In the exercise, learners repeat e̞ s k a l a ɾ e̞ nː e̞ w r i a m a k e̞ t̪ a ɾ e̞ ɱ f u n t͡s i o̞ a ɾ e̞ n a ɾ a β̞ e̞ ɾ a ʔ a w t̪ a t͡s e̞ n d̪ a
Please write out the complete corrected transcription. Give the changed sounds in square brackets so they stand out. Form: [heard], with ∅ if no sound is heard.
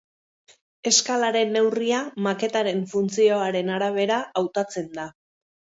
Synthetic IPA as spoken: e̞ s k a l a ɾ e̞ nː e̞ w r i a m a k e̞ t̪ a ɾ e̞ ɱ f u n t͡s i o̞ a ɾ e̞ n a ɾ a β̞ e̞ ɾ a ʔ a w t̪ a t͡s e̞ n d̪ a